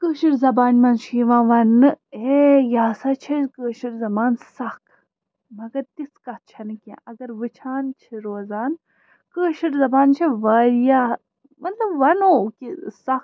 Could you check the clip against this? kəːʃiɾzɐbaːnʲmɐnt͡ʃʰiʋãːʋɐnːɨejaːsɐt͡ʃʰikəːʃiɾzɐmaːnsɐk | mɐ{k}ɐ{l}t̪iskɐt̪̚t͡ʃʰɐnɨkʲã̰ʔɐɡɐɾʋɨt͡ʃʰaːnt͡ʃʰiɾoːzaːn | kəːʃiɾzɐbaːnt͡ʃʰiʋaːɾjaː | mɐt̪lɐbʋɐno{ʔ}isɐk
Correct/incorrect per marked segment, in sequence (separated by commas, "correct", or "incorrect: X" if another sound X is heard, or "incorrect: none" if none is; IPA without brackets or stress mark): incorrect: ɡ, incorrect: ɾ, incorrect: k